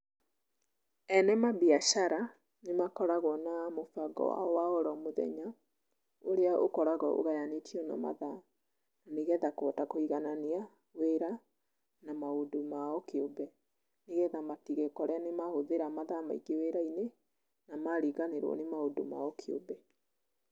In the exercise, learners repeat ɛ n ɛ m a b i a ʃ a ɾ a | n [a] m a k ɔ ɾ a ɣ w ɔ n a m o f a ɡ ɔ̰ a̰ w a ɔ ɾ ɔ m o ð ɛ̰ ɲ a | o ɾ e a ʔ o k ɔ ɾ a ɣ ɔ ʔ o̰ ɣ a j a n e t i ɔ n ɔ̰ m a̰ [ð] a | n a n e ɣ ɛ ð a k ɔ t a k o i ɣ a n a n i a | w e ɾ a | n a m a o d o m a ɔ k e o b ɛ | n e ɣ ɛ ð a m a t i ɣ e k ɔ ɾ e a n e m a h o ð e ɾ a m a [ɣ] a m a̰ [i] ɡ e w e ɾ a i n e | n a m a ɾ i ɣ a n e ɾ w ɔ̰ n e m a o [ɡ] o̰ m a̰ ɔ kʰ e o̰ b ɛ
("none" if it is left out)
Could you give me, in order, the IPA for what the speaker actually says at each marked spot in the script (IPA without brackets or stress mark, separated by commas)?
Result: e, ð, ð, i, d